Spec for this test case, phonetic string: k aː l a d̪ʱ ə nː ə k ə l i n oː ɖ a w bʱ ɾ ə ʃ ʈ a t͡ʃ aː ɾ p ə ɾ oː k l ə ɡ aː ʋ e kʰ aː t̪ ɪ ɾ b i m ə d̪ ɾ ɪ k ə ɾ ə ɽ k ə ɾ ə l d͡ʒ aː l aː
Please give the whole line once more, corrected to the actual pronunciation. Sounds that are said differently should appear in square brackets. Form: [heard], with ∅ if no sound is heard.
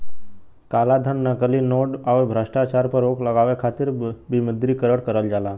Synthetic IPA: k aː l a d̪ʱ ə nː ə k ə l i n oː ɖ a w bʱ ɾ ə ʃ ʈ a t͡ʃ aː ɾ p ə ɾ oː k l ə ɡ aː ʋ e kʰ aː t̪ ɪ ɾ b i m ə d̪ ɾ [i] k ə ɾ ə ɽ k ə ɾ ə l d͡ʒ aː l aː